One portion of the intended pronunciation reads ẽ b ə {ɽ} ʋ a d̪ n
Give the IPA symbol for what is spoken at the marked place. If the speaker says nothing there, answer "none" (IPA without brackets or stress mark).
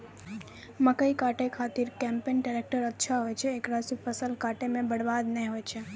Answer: ɽ